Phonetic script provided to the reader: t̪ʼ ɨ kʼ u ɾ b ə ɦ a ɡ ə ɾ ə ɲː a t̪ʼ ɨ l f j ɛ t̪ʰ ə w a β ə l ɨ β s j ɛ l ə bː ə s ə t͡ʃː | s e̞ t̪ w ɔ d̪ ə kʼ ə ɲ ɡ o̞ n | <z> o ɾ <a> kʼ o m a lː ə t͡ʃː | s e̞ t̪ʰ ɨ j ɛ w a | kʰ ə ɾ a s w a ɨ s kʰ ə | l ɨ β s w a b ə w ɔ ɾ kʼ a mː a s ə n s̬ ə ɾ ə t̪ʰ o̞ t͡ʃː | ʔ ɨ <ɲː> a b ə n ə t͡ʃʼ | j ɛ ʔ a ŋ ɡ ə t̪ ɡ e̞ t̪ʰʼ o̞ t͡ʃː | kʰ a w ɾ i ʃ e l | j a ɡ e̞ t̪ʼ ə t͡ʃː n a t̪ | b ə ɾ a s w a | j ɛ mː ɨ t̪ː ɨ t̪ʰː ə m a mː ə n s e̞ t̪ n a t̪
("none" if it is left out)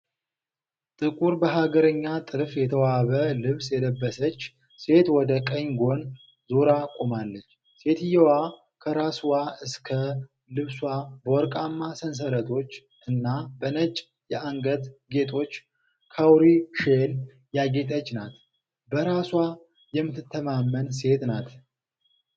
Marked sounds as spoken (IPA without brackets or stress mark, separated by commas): z, a, nː